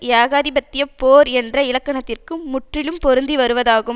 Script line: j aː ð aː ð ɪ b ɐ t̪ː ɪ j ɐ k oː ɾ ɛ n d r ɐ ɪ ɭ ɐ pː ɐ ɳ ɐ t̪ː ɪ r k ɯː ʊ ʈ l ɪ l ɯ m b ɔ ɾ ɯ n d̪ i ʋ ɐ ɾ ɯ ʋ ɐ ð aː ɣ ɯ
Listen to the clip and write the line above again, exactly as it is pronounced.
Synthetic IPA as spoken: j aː ɣ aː ð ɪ b ɐ t̪ː ɪ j ɐ p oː ɾ ɛ n d r ɐ ɪ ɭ ɐ kː ɐ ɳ ɐ t̪ː ɪ r k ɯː ʊ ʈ r ɪ l ɯ m p ɔ ɾ ɯ n d̪ i ʋ ɐ ɾ ɯ ʋ ɐ ð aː ɣ ɯ